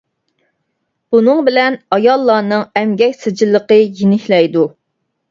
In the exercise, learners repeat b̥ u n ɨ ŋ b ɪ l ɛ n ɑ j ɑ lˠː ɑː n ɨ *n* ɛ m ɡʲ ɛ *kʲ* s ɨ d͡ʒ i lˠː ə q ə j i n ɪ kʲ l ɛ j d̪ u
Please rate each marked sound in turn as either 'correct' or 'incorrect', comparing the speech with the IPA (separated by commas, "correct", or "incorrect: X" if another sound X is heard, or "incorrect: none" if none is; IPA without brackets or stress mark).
incorrect: ŋ, correct